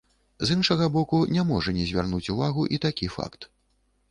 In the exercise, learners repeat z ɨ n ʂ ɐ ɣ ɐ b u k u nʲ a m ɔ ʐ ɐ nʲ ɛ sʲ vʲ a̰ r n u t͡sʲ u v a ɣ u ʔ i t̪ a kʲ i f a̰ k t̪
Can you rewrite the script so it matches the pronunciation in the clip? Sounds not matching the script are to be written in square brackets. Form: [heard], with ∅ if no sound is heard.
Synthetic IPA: z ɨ n ʂ ɐ ɣ ɐ b [ɔ] k u nʲ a m ɔ ʐ ɐ nʲ ɛ [zʲ] vʲ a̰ r n u t͡sʲ u v a ɣ u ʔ i t̪ a kʲ i f a̰ k t̪

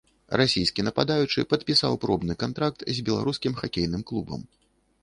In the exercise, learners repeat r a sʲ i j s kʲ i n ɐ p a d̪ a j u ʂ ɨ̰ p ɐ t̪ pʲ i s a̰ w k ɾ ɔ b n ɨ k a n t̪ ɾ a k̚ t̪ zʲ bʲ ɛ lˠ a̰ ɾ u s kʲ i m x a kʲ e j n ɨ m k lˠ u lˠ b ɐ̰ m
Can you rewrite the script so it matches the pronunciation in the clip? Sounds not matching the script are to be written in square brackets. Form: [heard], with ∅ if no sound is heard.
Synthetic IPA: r a sʲ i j s kʲ i n ɐ p a d̪ a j u [t͡ʂ] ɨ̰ p ɐ t̪ pʲ i s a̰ w [p] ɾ ɔ b n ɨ k a n t̪ ɾ a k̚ t̪ zʲ bʲ ɛ lˠ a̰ ɾ u s kʲ i m x a kʲ e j n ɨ m k lˠ u [∅] b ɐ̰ m

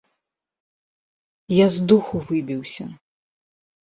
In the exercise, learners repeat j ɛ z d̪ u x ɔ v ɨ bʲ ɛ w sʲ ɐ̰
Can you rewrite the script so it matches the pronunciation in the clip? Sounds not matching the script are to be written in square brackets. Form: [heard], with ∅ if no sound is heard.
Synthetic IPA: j [a] z d̪ u x [u] v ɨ bʲ [i] w sʲ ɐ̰

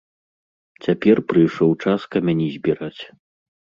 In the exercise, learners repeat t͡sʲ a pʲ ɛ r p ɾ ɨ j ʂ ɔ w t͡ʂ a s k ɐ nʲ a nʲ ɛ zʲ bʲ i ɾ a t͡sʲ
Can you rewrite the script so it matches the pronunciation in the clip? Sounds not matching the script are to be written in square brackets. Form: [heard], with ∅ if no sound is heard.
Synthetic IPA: t͡sʲ a pʲ ɛ r p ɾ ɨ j ʂ ɔ w t͡ʂ a s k ɐ [mʲ] a nʲ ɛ zʲ bʲ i ɾ a t͡sʲ

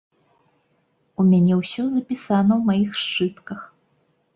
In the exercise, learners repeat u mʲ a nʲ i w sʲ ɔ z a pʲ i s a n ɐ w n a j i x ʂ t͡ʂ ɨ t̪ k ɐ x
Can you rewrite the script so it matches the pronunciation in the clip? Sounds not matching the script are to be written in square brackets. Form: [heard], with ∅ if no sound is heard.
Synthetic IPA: u mʲ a nʲ [ɛ] w sʲ ɔ z [ɐ] pʲ i s a n ɐ w [m] a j i x ʂ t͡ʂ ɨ t̪ k ɐ x

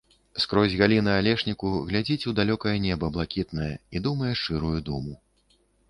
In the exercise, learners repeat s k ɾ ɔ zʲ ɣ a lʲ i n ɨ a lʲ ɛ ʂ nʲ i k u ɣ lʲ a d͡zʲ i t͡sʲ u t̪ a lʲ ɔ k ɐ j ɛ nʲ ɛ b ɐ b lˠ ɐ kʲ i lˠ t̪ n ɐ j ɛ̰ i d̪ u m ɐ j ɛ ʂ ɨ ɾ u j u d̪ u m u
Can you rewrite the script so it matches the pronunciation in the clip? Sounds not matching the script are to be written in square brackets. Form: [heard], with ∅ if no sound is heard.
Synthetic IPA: s k ɾ ɔ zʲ ɣ a lʲ i n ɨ a lʲ ɛ ʂ nʲ i k u ɣ lʲ a d͡zʲ i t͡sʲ u [d̪] a lʲ ɔ k ɐ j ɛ nʲ ɛ b ɐ b lˠ [a] kʲ i [∅] t̪ n ɐ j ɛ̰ i d̪ u m ɐ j ɛ ʂ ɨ ɾ u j u d̪ u m u

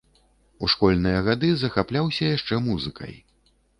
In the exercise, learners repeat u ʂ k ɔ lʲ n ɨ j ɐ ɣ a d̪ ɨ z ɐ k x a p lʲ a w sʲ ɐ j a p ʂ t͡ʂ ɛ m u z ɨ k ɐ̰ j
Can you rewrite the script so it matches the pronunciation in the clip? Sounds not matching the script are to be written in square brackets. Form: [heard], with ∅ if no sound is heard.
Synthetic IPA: u ʂ k ɔ lʲ n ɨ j ɐ ɣ a d̪ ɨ z ɐ [∅] x a p lʲ a w sʲ ɐ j a [∅] ʂ t͡ʂ ɛ m u z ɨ k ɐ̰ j

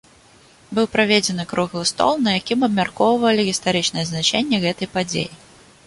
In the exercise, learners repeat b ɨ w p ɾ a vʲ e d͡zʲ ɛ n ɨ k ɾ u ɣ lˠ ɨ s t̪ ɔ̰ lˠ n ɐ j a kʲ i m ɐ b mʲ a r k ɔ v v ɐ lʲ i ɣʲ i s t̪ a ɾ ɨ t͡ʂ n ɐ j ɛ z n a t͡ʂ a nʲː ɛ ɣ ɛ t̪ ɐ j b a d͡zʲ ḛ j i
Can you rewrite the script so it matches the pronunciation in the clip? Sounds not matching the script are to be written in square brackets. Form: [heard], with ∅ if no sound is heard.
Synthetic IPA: b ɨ w p ɾ a vʲ e d͡zʲ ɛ n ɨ k ɾ u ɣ lˠ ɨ s t̪ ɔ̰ lˠ n ɐ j a kʲ i m ɐ b mʲ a r k ɔ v v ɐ lʲ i ɣʲ i s t̪ a ɾ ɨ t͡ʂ n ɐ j ɛ z n a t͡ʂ [ɛ] nʲː ɛ ɣ ɛ t̪ ɐ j [p] a d͡zʲ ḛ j i

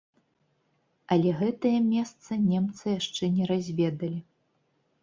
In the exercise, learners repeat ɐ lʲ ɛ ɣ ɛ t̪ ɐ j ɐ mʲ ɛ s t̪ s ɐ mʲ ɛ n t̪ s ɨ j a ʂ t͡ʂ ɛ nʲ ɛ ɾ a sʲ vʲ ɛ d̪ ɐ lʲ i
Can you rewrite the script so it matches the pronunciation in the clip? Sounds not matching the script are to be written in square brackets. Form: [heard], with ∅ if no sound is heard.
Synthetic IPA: ɐ lʲ ɛ ɣ ɛ t̪ ɐ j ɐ mʲ ɛ s t̪ s ɐ [nʲ] ɛ [m] t̪ s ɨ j a ʂ t͡ʂ ɛ nʲ ɛ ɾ a [zʲ] vʲ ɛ d̪ ɐ lʲ i

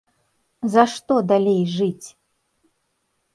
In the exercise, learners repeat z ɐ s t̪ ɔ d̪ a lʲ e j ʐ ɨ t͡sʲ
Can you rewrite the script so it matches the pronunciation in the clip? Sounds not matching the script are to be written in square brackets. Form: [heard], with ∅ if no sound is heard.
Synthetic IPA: z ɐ [ʂ] t̪ ɔ d̪ a lʲ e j ʐ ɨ t͡sʲ

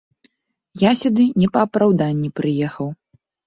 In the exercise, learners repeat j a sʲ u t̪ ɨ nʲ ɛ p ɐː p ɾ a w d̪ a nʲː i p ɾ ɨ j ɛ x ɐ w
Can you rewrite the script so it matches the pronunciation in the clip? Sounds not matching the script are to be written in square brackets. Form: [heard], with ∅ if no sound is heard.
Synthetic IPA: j a sʲ u [d̪] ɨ nʲ ɛ p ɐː p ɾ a w d̪ a nʲː i p ɾ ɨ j ɛ x ɐ w

